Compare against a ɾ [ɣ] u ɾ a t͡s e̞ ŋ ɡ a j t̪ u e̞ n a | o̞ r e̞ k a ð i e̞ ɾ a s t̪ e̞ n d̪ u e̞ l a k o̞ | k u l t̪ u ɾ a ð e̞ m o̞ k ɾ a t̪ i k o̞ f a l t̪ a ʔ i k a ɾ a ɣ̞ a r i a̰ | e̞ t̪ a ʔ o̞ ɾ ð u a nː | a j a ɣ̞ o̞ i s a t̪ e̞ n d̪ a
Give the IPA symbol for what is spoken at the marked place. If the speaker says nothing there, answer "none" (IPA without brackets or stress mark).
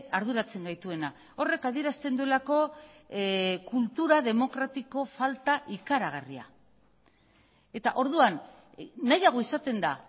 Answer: ð